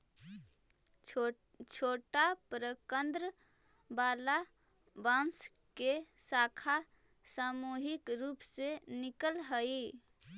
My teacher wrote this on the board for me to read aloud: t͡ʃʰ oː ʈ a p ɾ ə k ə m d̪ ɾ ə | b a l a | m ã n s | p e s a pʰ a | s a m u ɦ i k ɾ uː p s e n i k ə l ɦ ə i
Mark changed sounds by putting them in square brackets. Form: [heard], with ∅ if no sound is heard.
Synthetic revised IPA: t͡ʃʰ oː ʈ a p ɾ ə k ə [n] d̪ ɾ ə | b a l a | [b] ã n s | [k] e s a [kʰ] a | s a m u ɦ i k ɾ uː p s e n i k ə l ɦ ə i

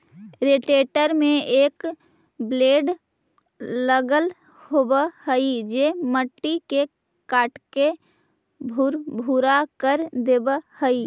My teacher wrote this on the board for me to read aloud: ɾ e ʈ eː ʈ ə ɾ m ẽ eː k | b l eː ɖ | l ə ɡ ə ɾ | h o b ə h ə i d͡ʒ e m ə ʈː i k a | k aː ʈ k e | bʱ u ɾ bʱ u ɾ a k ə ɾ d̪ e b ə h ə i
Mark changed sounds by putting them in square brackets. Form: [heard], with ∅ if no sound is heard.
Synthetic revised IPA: ɾ e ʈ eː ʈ ə ɾ m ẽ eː k | b l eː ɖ | l ə ɡ ə [l] | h o b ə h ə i d͡ʒ e m ə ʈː i k [e] | k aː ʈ k e | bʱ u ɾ bʱ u ɾ a k ə ɾ d̪ e b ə h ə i

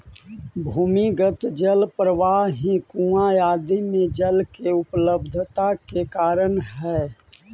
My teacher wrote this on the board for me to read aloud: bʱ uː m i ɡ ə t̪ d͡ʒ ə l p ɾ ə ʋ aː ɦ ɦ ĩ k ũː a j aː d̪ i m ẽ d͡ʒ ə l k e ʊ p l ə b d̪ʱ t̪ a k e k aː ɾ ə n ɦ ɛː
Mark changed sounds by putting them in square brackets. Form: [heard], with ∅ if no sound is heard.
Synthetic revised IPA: bʱ uː m i ɡ ə t̪ d͡ʒ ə l p ɾ ə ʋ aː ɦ ɦ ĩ k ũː a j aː d̪ i m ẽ d͡ʒ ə l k e ʊ p l ə b d̪ʱ t̪ a k e k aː ɾ ə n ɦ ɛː

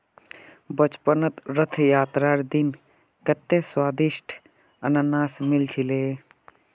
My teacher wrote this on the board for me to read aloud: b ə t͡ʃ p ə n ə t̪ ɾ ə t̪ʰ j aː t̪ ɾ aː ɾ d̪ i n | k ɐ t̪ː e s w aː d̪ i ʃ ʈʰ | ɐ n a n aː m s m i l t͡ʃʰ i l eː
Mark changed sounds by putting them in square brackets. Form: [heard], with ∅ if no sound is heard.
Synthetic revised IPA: b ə t͡ʃ p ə n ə t̪ ɾ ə t̪ʰ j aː t̪ ɾ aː ɾ d̪ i n | k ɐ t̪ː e s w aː d̪ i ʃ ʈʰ | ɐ n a n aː [∅] s m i l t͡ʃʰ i l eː

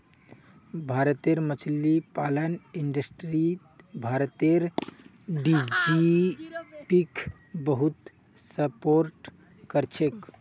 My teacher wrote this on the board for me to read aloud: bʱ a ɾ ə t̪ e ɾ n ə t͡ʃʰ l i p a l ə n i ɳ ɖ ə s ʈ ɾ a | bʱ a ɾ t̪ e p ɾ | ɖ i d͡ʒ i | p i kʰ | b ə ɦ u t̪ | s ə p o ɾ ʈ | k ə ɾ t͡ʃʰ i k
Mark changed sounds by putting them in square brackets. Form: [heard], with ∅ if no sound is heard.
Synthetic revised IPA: bʱ a ɾ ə t̪ e ɾ [m] ə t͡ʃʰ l i p a l ə n i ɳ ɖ ə s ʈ ɾ [i] | bʱ a ɾ t̪ e [∅] ɾ | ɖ i d͡ʒ i | p i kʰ | b ə ɦ u t̪ | s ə p o ɾ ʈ | k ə ɾ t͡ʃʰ [e] k

